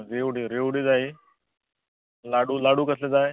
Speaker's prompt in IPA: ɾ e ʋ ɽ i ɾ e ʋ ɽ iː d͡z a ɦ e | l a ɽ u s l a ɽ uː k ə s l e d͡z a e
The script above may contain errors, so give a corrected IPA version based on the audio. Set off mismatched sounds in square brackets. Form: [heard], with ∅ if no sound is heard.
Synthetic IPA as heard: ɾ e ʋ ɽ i ɾ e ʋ ɽ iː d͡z a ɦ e | l a ɽ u [∅] l a ɽ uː k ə s l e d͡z a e